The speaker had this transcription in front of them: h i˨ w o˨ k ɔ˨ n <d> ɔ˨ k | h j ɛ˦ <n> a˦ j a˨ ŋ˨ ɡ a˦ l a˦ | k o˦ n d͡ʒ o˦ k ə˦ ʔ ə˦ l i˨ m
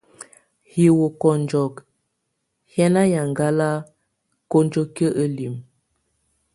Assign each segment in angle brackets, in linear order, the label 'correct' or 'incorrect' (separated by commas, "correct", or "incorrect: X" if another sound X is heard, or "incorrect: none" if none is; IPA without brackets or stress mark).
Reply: incorrect: d͡ʒ, correct